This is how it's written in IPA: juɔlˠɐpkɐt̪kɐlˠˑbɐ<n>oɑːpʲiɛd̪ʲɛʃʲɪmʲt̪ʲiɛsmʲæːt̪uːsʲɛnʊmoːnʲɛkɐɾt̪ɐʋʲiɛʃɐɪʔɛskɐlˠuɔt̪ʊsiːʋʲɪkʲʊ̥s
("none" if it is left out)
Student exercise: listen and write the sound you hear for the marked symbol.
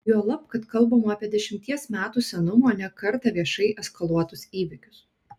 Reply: m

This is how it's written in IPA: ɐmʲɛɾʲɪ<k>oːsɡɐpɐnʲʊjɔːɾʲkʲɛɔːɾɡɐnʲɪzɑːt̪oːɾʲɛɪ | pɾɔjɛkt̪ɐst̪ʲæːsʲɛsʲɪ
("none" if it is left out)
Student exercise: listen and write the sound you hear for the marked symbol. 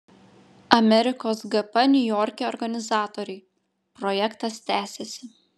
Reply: k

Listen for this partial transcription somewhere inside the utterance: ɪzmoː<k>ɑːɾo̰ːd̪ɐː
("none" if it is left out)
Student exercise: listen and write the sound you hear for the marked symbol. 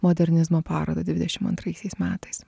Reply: p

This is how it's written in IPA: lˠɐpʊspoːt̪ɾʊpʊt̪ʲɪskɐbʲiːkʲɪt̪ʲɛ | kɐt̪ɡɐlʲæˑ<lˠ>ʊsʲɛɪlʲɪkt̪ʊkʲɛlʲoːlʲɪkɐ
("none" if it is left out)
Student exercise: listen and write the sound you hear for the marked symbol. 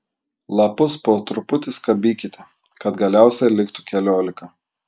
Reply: none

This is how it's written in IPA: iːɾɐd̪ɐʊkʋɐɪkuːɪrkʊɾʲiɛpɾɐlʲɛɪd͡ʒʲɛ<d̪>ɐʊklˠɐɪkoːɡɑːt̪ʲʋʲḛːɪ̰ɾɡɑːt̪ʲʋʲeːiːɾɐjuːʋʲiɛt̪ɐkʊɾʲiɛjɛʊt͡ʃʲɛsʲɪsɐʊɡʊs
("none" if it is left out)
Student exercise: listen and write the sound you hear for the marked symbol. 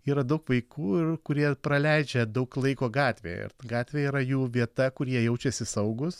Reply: d̪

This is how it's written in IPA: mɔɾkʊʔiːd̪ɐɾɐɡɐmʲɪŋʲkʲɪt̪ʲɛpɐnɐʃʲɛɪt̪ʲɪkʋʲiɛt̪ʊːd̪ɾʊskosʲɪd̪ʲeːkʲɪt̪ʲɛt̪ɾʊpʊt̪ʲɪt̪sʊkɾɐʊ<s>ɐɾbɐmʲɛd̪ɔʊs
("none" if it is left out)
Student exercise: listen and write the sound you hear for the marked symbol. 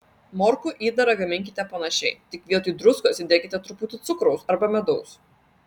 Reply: s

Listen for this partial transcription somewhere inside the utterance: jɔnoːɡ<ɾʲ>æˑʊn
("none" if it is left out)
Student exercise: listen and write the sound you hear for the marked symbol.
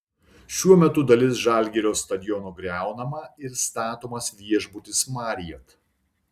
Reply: ɾʲ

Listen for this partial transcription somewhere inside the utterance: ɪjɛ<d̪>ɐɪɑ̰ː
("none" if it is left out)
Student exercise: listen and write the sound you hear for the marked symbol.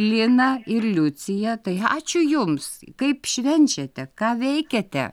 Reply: t̪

